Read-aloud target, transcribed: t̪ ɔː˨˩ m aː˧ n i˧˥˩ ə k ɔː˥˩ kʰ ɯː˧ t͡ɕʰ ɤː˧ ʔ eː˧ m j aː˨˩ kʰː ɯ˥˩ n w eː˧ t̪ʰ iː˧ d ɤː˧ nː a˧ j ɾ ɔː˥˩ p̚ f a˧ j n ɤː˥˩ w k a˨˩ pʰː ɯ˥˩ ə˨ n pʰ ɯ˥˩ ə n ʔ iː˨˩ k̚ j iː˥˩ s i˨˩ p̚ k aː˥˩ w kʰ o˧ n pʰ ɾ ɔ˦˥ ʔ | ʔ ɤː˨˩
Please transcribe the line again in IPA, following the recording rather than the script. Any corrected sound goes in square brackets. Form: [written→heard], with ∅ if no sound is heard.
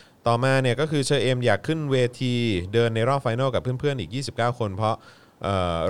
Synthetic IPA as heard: t̪ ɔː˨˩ m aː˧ n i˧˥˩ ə k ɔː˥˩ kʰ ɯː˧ t͡ɕʰ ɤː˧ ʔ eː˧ m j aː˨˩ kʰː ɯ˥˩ n w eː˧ t̪ʰ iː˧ d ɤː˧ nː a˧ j ɾ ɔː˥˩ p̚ f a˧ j n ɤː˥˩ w k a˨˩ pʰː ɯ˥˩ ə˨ n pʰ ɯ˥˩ ə n ʔ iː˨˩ k̚ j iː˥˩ s i˨˩ p̚ k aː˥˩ w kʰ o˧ n pʰ ɾ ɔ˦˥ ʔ | ʔ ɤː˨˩